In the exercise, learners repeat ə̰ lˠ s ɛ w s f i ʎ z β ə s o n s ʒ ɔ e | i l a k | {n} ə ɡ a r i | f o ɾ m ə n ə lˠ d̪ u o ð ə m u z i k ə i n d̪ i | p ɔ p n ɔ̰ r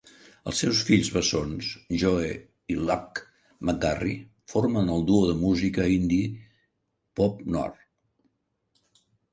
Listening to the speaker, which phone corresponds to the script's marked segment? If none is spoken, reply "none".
m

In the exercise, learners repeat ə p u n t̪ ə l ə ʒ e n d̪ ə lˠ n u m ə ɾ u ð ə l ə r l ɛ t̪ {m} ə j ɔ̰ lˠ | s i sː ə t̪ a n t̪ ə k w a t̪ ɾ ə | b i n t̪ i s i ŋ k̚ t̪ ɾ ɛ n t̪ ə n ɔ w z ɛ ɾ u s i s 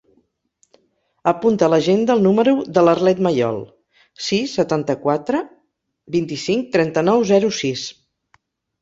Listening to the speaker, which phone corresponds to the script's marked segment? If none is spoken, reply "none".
m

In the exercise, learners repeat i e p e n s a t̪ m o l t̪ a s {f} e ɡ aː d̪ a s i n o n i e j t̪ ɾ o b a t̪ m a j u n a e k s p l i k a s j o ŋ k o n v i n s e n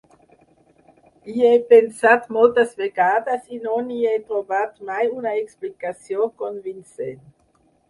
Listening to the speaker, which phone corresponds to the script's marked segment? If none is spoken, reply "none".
v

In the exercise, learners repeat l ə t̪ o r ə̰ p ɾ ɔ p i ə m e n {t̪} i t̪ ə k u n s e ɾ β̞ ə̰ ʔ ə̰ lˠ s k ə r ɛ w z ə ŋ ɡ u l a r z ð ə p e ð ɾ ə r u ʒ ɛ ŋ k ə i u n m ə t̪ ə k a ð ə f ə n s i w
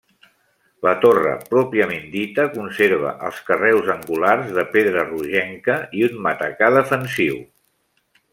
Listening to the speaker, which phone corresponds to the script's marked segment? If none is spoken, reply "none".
d̪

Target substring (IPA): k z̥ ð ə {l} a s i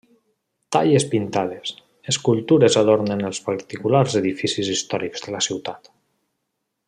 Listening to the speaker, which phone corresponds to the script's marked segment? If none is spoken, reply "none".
l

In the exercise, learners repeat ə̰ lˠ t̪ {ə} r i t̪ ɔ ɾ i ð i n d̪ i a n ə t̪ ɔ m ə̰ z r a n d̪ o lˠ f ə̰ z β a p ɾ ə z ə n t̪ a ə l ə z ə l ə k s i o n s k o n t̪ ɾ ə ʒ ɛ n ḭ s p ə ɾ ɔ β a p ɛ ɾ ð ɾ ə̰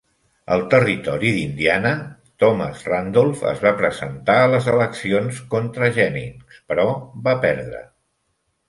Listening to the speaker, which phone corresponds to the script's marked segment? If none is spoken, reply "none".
ə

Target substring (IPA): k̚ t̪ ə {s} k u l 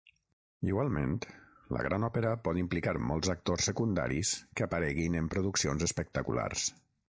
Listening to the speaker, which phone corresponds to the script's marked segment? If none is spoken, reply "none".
none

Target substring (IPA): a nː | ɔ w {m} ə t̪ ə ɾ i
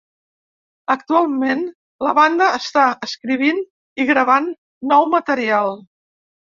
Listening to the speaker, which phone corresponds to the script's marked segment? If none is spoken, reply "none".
m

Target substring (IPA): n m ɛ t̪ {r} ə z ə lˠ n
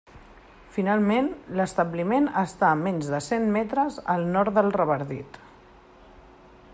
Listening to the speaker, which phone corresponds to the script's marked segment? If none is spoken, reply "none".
ɾ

